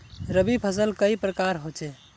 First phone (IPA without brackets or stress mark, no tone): ɾ